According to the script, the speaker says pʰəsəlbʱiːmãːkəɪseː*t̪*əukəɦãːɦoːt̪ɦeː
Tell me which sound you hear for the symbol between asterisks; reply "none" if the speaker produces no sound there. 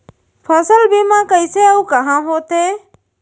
none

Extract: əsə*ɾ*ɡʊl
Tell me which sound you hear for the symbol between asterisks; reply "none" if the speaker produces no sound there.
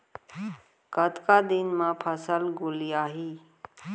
l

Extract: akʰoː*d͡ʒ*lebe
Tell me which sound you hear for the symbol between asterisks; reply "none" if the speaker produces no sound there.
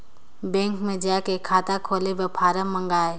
none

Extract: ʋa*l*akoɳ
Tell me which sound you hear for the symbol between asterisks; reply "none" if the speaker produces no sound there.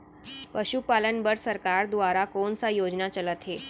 ɾ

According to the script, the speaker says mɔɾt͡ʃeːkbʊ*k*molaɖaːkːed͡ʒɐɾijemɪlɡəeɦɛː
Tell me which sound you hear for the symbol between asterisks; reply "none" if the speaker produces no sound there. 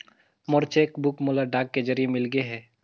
k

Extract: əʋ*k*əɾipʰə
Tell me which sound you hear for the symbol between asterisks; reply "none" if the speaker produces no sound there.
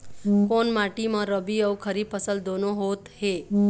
kʰ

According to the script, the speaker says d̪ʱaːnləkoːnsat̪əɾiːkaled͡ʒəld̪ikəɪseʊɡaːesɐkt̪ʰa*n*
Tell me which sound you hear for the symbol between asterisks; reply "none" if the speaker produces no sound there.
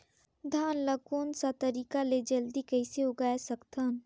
n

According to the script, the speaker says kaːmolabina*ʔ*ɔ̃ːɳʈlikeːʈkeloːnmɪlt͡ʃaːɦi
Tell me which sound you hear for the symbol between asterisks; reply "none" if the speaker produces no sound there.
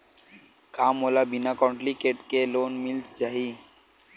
k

